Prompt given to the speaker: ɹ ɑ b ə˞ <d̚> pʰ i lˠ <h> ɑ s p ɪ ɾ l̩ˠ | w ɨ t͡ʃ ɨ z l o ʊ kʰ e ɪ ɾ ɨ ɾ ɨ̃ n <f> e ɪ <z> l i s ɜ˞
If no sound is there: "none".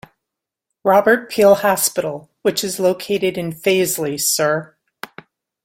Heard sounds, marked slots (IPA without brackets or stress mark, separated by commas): t̚, h, f, z